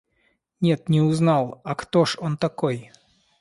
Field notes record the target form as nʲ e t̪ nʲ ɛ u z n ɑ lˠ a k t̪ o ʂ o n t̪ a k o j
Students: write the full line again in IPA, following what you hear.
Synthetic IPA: nʲ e t̪ nʲ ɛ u z n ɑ lˠ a k t̪ o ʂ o n t̪ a k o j